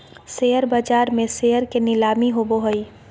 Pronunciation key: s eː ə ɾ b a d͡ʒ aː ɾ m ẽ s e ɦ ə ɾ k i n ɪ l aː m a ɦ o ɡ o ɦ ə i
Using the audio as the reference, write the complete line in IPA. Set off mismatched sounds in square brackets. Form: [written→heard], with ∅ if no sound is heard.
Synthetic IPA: s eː ə ɾ b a d͡ʒ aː ɾ m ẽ s e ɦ ə ɾ k [i→e] n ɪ l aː m [a→i] ɦ o [ɡ→b] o ɦ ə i